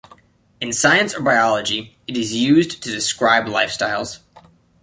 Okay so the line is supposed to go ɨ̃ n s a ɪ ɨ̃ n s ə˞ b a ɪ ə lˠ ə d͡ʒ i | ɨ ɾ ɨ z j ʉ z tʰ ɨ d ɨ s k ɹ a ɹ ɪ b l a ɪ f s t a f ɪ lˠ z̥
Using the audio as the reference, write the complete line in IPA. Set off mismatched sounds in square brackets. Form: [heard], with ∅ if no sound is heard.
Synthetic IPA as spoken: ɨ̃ n s a ɪ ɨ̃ n s ə˞ b a ɪ [ɑ] lˠ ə d͡ʒ i | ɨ ɾ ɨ z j ʉ z tʰ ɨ d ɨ s k ɹ a [∅] ɪ b l a ɪ f s t a [∅] ɪ lˠ z̥